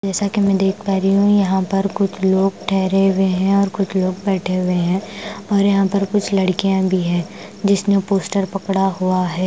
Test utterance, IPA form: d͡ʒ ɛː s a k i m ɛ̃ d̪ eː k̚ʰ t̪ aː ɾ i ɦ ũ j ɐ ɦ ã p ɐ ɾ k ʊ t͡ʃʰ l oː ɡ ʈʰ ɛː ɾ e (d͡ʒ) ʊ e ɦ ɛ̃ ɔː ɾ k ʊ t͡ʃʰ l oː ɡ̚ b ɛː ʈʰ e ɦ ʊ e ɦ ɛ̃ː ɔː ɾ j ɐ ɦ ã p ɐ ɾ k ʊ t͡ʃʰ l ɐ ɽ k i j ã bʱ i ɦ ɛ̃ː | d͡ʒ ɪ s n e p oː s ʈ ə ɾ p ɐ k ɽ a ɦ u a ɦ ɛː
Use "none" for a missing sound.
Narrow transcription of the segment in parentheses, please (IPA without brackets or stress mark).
none